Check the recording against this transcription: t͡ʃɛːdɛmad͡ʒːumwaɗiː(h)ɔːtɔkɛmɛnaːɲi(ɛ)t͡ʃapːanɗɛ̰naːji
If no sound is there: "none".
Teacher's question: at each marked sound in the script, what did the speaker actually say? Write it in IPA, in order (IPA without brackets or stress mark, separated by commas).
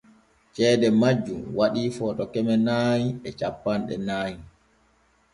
f, ɛ